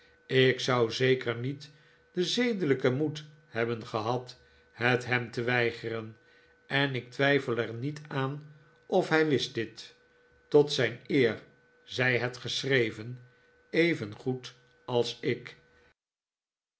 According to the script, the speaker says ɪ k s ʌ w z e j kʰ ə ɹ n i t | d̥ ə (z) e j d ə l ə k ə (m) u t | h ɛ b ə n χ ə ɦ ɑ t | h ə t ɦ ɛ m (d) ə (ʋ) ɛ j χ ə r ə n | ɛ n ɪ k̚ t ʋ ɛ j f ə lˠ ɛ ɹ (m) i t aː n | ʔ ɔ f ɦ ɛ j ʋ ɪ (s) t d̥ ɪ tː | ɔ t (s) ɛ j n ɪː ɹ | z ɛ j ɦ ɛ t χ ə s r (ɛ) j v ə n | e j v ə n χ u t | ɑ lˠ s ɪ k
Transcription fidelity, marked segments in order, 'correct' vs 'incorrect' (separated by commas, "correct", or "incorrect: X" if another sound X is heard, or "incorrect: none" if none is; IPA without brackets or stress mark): correct, correct, incorrect: t, correct, incorrect: n, correct, correct, incorrect: e